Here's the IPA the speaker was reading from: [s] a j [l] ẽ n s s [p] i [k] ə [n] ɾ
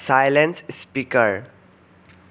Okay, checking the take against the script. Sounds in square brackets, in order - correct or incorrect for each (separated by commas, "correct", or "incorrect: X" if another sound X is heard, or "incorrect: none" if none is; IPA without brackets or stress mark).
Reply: correct, correct, correct, correct, incorrect: none